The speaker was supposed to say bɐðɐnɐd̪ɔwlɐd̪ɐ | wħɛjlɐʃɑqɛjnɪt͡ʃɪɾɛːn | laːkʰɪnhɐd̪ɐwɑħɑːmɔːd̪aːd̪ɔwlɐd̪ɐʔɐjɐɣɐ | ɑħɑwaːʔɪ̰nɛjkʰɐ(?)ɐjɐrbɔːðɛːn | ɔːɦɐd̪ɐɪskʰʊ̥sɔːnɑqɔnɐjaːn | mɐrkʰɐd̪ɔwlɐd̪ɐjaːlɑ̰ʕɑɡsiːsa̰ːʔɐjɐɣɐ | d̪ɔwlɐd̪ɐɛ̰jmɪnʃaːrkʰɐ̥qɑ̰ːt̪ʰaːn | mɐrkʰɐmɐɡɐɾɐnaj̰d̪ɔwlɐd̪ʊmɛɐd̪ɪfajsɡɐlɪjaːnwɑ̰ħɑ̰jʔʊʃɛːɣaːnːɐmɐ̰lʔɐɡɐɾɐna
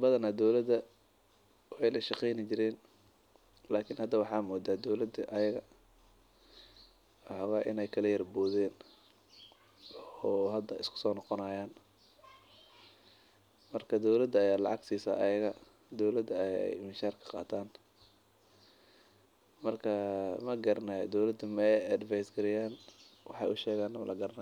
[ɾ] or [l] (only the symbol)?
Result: l